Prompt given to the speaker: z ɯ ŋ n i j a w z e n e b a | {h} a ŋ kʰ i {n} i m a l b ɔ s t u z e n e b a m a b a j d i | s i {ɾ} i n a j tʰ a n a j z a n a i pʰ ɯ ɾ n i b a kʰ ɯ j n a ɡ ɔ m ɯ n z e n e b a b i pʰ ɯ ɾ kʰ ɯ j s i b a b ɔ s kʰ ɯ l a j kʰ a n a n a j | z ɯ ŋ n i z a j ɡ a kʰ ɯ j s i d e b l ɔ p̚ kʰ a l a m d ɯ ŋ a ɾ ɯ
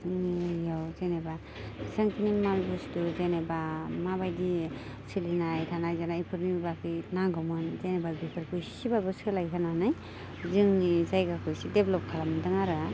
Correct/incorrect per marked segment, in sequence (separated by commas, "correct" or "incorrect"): incorrect, correct, incorrect